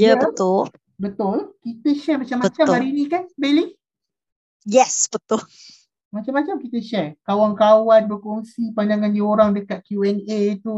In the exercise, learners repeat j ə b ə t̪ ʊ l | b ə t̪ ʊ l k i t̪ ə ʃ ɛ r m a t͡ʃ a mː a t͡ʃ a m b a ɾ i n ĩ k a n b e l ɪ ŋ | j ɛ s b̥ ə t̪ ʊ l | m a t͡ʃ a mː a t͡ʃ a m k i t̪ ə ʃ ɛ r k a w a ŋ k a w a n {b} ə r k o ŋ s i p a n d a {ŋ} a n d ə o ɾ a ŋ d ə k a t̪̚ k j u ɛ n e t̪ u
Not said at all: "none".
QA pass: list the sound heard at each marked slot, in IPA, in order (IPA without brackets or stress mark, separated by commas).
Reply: b, ŋ